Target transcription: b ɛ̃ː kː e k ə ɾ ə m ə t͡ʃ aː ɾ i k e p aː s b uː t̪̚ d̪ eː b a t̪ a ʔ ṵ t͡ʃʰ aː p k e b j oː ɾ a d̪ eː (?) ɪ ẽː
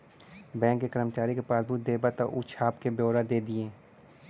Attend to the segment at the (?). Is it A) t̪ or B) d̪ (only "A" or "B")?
B